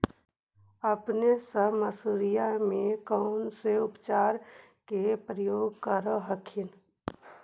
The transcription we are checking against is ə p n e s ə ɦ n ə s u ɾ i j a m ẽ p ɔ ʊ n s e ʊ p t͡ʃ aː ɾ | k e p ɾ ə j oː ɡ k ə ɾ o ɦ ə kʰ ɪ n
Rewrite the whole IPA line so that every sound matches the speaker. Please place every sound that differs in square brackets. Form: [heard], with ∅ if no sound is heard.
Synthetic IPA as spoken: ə p n e s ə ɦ [m] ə s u ɾ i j a m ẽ [k] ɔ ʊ n s e ʊ p t͡ʃ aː ɾ | k e p ɾ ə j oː ɡ k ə ɾ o ɦ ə kʰ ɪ n

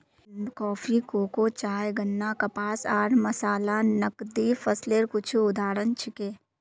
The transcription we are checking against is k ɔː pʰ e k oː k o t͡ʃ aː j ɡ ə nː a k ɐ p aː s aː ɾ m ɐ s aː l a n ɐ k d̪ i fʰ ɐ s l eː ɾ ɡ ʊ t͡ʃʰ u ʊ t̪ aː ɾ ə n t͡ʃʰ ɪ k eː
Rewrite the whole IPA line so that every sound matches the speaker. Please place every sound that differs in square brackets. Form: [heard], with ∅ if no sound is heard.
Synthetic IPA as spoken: k ɔː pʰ [i] k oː k o t͡ʃ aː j ɡ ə nː a k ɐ p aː s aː ɾ m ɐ s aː l a n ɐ k d̪ i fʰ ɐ s l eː ɾ [k] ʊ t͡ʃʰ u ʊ [d̪] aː ɾ ə n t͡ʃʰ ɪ k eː

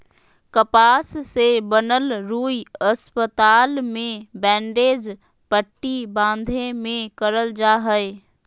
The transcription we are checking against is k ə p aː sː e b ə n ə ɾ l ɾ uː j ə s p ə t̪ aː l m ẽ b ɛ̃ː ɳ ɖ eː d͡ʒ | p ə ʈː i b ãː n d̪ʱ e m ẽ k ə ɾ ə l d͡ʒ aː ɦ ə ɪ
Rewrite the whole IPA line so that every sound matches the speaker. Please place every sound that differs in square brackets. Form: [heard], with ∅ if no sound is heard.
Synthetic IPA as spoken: k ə p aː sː e b ə n ə [∅] l ɾ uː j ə s p ə t̪ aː l m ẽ b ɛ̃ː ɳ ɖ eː d͡ʒ | p ə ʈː i b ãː n d̪ʱ e m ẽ k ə ɾ ə l d͡ʒ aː ɦ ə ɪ

